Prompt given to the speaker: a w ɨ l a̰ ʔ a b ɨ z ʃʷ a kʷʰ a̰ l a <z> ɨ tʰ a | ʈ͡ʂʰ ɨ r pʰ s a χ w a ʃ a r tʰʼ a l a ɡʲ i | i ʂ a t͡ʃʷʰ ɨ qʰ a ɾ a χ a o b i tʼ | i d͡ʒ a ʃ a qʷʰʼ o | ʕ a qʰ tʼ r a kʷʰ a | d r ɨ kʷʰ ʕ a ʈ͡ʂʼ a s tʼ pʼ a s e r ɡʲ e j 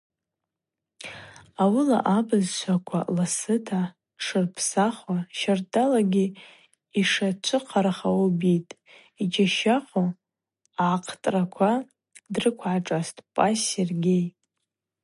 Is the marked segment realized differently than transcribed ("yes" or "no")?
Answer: yes